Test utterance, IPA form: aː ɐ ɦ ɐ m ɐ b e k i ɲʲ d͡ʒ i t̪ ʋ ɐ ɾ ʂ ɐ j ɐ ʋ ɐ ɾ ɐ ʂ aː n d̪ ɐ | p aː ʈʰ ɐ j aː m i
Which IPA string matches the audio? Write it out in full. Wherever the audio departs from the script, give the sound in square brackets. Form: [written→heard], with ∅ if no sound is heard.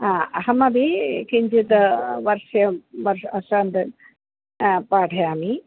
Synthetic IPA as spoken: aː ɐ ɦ ɐ m ɐ b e k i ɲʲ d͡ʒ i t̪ ʋ ɐ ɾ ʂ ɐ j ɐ ʋ ɐ ɾ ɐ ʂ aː n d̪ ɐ | p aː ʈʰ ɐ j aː m i